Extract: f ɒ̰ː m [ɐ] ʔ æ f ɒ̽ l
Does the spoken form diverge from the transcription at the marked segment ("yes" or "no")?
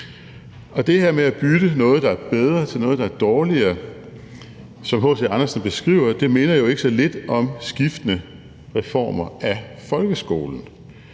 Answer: no